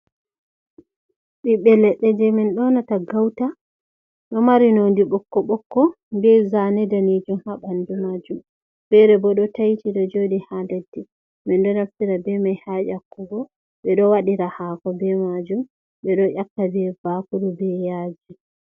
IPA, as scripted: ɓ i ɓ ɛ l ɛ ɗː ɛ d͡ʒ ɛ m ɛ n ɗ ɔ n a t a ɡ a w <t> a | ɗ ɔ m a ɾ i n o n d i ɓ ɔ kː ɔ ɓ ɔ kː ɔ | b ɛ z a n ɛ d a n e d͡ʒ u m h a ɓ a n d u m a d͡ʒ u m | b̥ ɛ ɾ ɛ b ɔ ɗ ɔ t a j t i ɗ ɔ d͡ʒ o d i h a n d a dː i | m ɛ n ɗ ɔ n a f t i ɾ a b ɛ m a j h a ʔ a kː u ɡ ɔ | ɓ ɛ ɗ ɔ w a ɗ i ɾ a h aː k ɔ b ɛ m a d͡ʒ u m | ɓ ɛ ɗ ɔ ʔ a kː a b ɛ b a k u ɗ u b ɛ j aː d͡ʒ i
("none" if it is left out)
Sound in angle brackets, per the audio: t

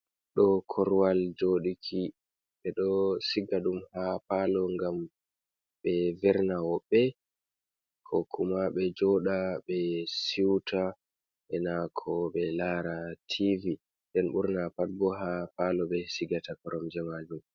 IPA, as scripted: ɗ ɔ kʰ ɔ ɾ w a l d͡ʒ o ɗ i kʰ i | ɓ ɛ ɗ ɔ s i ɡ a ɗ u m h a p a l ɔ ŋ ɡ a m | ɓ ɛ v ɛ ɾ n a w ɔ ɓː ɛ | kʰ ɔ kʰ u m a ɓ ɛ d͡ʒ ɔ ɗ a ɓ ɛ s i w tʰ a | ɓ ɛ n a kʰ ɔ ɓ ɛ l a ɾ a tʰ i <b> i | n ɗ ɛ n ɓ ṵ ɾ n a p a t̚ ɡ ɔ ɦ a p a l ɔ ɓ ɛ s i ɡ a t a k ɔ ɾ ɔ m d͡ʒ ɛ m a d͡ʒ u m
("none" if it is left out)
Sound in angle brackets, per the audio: v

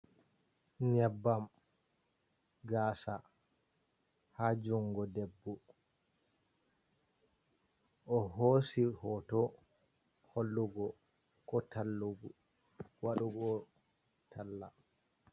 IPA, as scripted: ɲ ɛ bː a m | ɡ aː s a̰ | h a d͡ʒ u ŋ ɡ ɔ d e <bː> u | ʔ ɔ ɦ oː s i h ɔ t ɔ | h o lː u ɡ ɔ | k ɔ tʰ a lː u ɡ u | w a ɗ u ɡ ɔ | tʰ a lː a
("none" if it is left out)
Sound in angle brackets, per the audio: bː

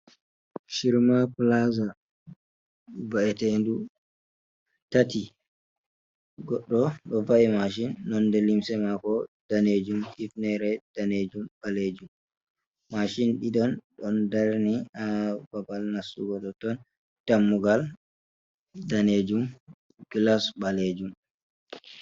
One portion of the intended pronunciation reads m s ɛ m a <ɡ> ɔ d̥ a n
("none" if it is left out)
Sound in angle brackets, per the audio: k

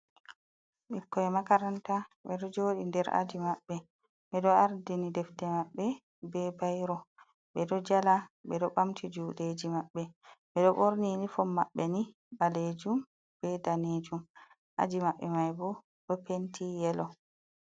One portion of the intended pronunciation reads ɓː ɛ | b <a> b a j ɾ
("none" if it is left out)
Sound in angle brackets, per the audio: ɛ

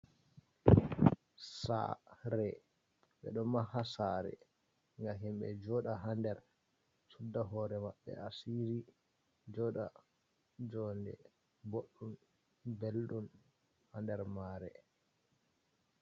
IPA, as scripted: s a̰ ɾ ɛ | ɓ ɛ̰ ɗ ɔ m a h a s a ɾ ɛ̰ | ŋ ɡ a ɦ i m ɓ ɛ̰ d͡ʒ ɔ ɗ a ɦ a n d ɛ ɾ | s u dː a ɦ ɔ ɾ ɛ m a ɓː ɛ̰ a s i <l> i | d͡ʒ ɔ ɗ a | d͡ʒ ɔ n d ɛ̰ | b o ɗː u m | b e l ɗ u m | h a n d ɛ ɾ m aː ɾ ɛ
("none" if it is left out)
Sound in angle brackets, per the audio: ɾ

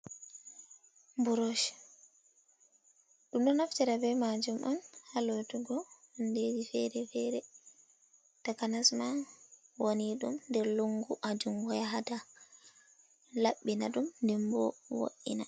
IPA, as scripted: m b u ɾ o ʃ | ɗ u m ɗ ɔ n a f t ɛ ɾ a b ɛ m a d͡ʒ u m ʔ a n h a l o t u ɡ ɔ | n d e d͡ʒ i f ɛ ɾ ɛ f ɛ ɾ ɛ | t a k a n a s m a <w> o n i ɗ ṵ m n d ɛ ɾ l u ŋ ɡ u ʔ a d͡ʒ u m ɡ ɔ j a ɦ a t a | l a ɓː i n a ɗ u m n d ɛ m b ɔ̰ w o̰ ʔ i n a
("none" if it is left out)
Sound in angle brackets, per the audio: w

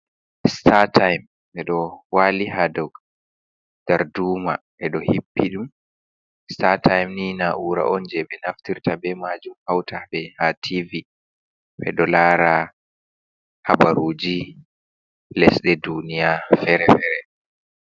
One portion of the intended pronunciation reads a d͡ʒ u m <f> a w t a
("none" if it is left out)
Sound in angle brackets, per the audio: h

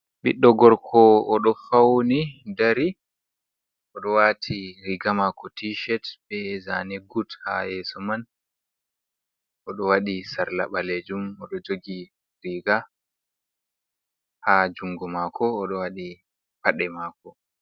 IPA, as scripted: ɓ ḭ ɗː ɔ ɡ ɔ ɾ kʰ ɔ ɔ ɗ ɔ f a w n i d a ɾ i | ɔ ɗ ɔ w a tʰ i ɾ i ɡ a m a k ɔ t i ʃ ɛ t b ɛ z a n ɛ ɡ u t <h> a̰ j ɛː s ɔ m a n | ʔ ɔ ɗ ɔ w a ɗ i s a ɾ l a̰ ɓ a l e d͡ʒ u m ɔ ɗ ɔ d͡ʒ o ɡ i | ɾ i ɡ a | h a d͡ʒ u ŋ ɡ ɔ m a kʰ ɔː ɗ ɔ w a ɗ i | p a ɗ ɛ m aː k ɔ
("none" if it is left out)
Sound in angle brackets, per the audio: h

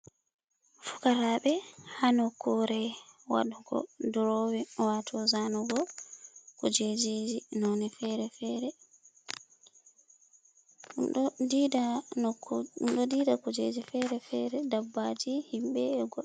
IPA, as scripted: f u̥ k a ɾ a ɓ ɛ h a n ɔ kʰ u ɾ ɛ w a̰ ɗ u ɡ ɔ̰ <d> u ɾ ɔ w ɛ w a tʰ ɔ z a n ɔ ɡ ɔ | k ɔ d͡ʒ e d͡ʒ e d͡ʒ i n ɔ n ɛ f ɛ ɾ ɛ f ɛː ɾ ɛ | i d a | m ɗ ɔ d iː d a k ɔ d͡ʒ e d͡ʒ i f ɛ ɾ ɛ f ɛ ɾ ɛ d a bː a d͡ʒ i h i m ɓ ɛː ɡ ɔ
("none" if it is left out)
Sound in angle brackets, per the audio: d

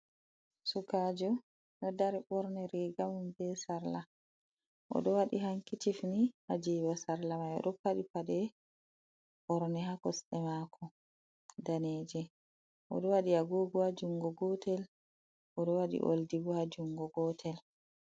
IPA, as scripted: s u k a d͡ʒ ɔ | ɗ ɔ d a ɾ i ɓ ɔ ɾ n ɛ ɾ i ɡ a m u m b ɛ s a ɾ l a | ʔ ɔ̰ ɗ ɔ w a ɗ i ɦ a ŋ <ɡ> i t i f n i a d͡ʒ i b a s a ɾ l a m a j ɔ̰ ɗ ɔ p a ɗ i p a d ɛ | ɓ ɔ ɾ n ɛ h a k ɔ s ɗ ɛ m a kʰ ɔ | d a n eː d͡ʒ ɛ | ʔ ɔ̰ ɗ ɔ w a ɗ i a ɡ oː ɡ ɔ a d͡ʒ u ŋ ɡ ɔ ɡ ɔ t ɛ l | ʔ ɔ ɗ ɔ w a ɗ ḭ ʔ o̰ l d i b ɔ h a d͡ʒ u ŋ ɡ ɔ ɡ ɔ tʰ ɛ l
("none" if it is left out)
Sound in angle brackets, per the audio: k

